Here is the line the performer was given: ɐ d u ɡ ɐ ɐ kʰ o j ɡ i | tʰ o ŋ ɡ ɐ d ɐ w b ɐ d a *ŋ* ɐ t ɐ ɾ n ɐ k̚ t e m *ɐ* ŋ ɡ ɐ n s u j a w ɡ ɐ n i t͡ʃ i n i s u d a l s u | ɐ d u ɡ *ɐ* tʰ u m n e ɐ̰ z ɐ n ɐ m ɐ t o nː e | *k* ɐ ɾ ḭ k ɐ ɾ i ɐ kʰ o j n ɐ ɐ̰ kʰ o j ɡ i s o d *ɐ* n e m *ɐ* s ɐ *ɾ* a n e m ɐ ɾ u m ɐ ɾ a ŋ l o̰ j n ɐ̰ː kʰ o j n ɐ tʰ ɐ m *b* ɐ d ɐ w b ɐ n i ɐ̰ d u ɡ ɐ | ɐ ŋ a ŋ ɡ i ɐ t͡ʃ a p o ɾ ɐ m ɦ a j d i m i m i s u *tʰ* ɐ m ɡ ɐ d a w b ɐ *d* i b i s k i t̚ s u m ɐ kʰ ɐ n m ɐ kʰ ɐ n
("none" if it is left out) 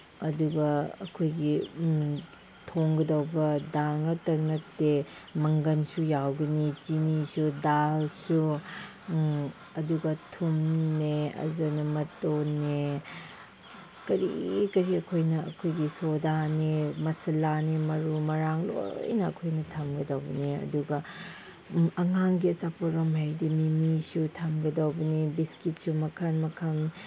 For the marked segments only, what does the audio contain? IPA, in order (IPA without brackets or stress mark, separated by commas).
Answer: ŋ, ɐ, ɐ, k, a, ɐ, l, ɡ, tʰ, n